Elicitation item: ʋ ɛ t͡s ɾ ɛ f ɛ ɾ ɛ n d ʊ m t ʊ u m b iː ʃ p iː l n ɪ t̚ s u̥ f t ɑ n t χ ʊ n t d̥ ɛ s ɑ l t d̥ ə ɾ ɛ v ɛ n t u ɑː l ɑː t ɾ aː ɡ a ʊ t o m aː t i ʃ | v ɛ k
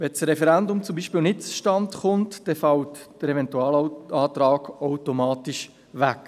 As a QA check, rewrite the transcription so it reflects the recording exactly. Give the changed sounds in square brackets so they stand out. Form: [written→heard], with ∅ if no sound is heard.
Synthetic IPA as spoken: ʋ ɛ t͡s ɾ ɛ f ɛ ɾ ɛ n d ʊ m [t→t͡s] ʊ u m b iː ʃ p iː l n ɪ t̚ [s→t͡s] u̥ [f→ʃ] t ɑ n t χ ʊ n t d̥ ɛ [s→f] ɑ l t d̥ ə ɾ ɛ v ɛ n t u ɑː l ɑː t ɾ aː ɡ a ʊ t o m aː t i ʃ | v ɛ k